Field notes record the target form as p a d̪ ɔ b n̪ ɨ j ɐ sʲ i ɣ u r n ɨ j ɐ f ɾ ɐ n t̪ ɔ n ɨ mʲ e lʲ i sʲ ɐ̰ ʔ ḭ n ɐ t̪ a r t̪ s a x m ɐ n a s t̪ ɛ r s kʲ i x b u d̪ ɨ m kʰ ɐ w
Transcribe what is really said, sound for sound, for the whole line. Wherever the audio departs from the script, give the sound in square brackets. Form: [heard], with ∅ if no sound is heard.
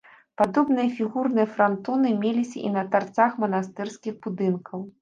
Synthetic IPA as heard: p a d̪ ɔ b n̪ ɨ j ɐ [fʲ] i ɣ u r n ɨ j ɐ f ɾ [a] n t̪ ɔ n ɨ mʲ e lʲ i sʲ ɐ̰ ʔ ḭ n ɐ t̪ a r t̪ s a x m ɐ n a s t̪ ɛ r s kʲ i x b u d̪ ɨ [n] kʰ ɐ w